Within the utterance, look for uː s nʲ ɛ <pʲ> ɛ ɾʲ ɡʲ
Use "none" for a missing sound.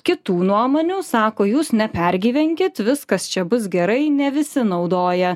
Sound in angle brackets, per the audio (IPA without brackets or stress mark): pʲ